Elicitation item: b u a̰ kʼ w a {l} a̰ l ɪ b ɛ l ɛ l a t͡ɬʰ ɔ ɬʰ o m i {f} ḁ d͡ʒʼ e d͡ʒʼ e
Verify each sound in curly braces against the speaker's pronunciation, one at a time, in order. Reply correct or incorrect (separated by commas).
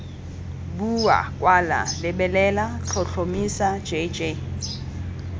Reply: correct, incorrect